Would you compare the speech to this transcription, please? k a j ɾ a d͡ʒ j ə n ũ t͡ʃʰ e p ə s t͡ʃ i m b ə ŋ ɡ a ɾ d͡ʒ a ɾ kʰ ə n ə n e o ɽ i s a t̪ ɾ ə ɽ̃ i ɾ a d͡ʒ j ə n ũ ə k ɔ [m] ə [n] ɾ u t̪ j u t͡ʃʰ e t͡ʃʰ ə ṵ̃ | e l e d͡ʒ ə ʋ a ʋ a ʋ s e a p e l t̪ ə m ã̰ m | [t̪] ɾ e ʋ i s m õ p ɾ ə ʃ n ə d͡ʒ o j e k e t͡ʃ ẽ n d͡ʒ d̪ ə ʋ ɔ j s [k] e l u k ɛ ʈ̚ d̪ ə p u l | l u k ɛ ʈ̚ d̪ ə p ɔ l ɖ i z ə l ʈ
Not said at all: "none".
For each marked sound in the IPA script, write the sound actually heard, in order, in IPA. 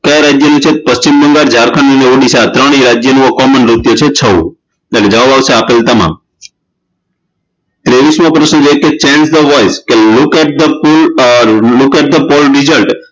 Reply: m, n, t̪, k

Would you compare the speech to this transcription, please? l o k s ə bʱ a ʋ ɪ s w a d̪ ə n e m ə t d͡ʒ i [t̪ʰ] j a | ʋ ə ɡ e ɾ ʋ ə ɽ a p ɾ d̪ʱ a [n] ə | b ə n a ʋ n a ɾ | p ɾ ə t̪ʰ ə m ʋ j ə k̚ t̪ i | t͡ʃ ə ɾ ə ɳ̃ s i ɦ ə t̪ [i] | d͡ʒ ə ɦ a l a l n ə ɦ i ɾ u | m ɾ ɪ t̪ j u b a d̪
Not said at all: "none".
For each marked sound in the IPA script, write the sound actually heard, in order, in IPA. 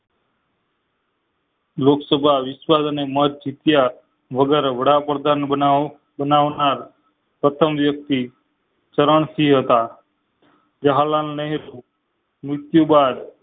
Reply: t̪, n, a

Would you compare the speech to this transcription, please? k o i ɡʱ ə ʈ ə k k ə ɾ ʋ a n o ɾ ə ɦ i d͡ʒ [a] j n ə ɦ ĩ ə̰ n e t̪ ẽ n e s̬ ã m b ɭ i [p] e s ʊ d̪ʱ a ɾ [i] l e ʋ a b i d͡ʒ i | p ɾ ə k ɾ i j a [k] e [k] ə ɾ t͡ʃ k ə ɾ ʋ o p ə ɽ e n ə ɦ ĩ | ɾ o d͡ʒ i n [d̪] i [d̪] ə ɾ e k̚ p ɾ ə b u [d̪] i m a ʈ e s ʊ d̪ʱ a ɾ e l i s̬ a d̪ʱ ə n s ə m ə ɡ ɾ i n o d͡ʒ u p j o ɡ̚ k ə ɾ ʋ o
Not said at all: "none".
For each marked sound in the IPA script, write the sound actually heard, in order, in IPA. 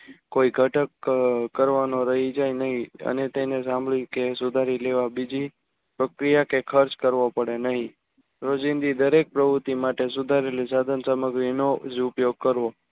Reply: a, k, i, k, kʰ, d̪, d̪, t̪

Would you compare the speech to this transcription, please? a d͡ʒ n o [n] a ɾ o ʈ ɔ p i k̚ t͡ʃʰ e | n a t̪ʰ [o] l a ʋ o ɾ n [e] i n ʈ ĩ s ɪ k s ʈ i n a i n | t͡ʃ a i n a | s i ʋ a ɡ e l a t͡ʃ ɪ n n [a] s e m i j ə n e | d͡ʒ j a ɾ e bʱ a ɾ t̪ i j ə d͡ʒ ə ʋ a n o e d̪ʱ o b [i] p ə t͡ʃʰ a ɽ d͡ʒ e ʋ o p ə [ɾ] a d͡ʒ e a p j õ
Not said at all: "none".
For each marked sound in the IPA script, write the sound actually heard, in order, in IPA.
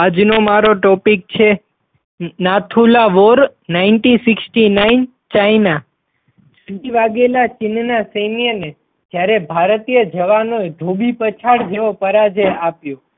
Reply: m, u, a, a, i, ɾ

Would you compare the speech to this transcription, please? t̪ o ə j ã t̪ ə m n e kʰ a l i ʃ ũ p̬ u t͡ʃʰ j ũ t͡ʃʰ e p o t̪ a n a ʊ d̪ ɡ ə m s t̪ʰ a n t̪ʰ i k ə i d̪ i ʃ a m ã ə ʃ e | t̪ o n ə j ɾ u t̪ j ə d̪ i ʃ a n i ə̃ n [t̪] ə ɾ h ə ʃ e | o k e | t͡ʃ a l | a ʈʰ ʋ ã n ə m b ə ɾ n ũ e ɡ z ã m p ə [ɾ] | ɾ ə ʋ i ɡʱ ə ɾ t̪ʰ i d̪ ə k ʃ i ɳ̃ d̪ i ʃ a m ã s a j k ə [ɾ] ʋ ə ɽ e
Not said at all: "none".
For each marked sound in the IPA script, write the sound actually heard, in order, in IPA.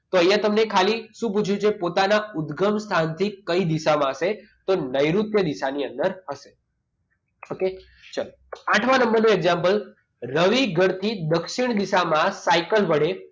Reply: d̪, l, l

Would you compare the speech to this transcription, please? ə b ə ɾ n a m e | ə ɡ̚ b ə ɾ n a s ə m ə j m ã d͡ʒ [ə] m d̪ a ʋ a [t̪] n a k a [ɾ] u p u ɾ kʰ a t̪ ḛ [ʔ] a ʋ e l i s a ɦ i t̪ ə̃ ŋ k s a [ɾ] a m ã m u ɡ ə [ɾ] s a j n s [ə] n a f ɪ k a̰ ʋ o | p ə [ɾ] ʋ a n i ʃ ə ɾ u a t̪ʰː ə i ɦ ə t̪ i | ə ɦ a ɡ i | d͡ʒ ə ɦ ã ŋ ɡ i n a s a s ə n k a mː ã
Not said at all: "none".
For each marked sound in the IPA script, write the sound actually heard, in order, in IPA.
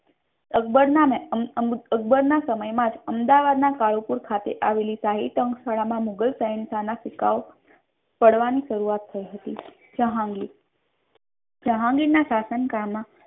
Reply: ə, d̪, ɭ, ʔ, ɭ, l, a, ɽ

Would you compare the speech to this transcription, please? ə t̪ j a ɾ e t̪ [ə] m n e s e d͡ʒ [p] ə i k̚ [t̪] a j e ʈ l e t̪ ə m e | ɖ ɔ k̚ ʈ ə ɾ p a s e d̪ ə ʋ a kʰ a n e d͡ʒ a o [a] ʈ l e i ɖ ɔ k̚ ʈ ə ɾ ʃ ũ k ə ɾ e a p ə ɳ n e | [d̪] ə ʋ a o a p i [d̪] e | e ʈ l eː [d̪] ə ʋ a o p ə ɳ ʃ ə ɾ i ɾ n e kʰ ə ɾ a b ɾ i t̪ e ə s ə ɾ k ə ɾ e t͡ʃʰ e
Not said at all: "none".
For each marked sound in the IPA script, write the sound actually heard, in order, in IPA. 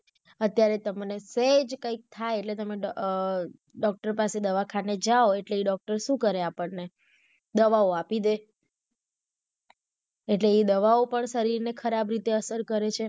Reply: ə, k, t̪ʰ, e, d̪, d̪, d̪

